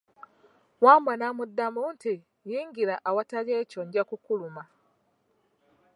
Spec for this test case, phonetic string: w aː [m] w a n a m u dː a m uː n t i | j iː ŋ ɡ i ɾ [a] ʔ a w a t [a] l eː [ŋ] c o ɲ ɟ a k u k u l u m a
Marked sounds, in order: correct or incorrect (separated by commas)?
correct, correct, correct, incorrect